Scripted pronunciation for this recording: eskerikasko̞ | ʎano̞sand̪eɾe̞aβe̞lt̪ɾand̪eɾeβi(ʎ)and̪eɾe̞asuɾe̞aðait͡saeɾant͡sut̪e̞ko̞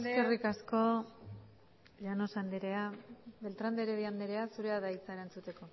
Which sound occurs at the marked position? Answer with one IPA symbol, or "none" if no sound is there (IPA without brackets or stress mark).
none